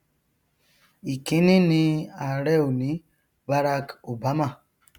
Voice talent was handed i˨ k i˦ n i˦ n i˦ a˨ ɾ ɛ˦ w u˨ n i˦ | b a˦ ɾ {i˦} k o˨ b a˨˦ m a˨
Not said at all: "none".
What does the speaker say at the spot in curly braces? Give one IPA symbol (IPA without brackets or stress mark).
a˦